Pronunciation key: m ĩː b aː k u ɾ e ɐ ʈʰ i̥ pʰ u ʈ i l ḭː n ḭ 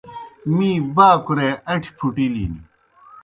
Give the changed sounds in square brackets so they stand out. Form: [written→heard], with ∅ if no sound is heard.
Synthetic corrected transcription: m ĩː b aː k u ɾ e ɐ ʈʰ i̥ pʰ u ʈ i l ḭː n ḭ